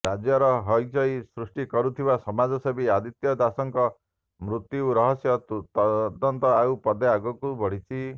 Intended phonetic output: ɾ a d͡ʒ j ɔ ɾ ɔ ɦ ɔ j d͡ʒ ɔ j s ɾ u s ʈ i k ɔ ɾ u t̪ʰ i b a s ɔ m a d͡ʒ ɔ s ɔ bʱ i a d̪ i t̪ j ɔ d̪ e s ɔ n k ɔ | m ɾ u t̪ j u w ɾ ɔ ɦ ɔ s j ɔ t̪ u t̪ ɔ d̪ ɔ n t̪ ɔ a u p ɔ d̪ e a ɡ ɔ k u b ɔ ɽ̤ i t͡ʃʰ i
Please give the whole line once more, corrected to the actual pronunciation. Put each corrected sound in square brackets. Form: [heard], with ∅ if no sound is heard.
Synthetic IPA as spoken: ɾ a d͡ʒ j ɔ ɾ ɔ ɦ ɔ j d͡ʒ ɔ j s ɾ u s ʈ i k ɔ ɾ u t̪ʰ i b a s ɔ m a d͡ʒ ɔ s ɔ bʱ i a d̪ i t̪ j ɔ d̪ [a] s ɔ [ŋ] k ɔ | m ɾ u t̪ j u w ɾ ɔ ɦ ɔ s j ɔ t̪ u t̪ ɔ d̪ ɔ n t̪ ɔ a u p ɔ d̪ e a ɡ ɔ k u b ɔ ɽ̤ i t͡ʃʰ i

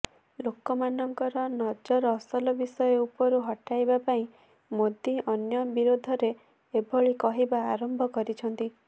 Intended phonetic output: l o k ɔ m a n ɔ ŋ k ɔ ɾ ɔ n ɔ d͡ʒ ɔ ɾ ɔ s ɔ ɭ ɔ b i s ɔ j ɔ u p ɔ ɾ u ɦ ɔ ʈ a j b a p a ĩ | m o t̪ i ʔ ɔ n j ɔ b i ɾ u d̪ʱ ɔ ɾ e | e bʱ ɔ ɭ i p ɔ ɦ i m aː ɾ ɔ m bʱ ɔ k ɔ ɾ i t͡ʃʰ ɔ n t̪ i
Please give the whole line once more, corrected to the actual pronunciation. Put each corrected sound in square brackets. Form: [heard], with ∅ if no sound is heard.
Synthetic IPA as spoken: l o k ɔ m a n ɔ ŋ k ɔ ɾ ɔ n ɔ d͡ʒ ɔ ɾ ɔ s ɔ [l] ɔ b i s ɔ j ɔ u p ɔ ɾ u ɦ ɔ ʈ a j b a p a ĩ | m o [d̪] i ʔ ɔ n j ɔ b i ɾ [o] d̪ʱ ɔ ɾ e | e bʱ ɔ ɭ i [k] ɔ ɦ i [b] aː ɾ ɔ m bʱ ɔ k ɔ ɾ i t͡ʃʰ ɔ n t̪ i

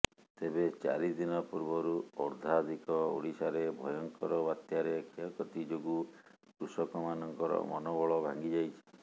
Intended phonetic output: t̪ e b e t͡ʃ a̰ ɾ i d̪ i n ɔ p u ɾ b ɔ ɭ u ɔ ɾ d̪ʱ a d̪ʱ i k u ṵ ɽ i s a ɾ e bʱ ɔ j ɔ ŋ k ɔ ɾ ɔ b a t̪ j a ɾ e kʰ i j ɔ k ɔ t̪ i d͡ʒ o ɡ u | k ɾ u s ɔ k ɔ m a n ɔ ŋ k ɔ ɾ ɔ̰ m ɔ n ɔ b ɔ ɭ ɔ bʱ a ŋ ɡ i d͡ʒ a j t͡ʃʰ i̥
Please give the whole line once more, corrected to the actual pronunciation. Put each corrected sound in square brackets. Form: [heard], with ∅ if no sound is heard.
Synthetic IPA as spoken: t̪ e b e t͡ʃ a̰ ɾ i d̪ i n ɔ p u ɾ b ɔ [ɾ] u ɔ ɾ d̪ʱ a d̪ʱ i k [ɔ] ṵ ɽ i s a ɾ e bʱ ɔ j ɔ ŋ k ɔ ɾ ɔ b a t̪ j a ɾ e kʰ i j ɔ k ɔ t̪ i d͡ʒ o ɡ u | k ɾ u s ɔ k ɔ m a n ɔ ŋ k ɔ ɾ ɔ̰ m ɔ n ɔ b ɔ ɭ ɔ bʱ a ŋ ɡ i d͡ʒ a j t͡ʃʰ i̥

